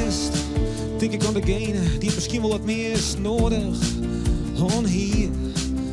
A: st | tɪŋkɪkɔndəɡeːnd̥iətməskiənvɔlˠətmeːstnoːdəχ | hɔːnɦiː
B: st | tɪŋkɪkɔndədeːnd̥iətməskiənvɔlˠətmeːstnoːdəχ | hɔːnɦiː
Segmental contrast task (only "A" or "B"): A